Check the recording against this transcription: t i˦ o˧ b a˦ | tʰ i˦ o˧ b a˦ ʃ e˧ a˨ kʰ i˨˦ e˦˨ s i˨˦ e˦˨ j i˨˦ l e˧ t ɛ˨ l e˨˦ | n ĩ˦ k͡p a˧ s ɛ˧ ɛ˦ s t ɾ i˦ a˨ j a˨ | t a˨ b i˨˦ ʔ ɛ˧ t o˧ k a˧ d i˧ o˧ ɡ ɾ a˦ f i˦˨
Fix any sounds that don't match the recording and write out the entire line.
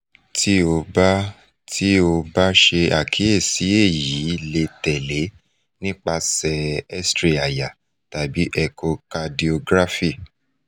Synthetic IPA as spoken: t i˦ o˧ b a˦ | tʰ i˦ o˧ b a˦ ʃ e˧ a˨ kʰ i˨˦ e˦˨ s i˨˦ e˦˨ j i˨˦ l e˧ t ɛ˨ l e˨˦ | n ĩ˦ k͡p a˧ s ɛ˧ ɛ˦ s t ɾ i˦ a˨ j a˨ | t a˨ b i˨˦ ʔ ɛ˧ k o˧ k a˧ d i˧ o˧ ɡ ɾ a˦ f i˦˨